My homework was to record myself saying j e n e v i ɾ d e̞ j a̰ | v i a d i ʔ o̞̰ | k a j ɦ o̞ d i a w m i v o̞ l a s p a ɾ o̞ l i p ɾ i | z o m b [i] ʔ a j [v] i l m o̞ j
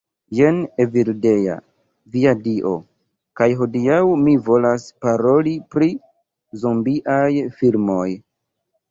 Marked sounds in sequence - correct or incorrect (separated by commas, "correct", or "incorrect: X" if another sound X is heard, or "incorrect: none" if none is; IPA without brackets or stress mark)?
correct, incorrect: f